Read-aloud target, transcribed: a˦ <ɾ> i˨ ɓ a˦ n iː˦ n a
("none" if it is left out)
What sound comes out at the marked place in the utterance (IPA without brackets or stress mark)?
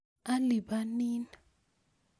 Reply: l